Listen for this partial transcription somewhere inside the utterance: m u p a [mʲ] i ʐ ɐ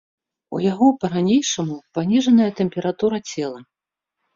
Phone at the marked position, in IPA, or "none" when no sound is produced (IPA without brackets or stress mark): nʲ